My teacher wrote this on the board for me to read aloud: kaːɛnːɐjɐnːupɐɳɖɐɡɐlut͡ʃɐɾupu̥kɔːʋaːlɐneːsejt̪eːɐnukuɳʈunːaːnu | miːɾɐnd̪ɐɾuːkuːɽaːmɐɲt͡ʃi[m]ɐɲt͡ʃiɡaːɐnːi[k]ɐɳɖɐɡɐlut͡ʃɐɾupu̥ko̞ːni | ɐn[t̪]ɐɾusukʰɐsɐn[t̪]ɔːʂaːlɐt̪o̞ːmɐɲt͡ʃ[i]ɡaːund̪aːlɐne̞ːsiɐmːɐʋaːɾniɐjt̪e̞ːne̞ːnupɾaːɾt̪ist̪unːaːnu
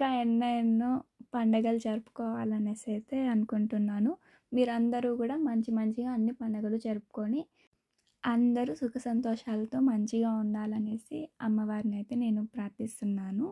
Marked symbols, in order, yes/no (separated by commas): yes, no, no, yes, yes